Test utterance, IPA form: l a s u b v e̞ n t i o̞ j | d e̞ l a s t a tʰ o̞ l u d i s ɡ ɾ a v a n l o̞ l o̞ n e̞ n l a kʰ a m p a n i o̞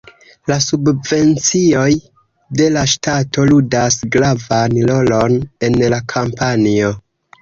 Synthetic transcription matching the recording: l a s u b v e̞ n t͡s i o̞ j | d e̞ l a ʃ t a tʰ o̞ l u d a s ɡ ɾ a v a n l o̞ l o̞ n e̞ n l a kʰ a m p a n i o̞